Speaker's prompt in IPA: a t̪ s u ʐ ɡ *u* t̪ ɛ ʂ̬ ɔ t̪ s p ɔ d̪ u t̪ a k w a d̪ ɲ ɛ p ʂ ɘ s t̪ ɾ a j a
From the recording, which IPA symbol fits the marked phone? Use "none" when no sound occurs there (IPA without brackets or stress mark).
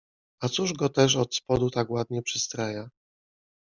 ɔ